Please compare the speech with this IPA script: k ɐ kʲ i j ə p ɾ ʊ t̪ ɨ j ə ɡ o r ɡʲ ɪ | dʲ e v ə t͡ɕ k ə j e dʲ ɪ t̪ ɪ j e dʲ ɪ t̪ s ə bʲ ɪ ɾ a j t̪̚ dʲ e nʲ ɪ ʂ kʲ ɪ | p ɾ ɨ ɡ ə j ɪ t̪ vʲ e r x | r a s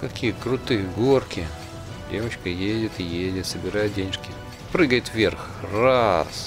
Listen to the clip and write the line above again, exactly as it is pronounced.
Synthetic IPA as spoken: k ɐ kʲ i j ə k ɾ ʊ t̪ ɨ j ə ɡ o r kʲ ɪ | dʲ e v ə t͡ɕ k ə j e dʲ ɪ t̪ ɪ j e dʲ ɪ t̪ s ə bʲ ɪ ɾ a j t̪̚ dʲ e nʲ ɪ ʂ kʲ ɪ | p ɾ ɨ ɡ ə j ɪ t̪ vʲ e r x | r a s